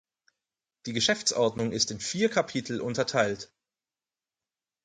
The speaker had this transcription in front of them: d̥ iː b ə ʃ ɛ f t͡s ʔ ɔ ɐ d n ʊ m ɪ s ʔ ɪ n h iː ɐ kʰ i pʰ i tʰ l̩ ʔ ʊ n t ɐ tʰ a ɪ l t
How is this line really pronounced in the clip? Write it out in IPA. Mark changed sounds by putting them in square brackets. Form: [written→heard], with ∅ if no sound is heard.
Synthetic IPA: d̥ iː [b→ɡ] ə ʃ ɛ f t͡s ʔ ɔ ɐ d n ʊ [m→ŋ] ɪ s [ʔ→t] ɪ n [h→f] iː ɐ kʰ [i→a] pʰ i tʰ l̩ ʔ ʊ n t ɐ tʰ a ɪ l t